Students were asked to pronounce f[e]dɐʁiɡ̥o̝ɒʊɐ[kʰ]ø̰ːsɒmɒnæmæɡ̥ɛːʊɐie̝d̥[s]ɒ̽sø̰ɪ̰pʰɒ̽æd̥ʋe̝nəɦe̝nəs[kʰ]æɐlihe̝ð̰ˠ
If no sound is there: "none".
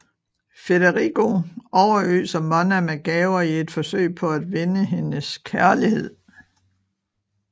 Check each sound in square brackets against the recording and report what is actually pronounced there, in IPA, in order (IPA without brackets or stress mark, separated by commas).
e, none, f, kʰ